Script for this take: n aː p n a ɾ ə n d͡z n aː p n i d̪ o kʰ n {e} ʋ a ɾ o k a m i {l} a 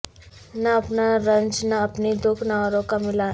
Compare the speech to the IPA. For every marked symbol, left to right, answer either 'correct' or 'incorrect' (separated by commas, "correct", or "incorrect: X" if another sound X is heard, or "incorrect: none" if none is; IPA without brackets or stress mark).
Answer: incorrect: a, correct